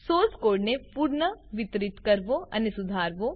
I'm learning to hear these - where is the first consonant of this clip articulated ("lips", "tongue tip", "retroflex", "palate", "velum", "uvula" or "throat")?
tongue tip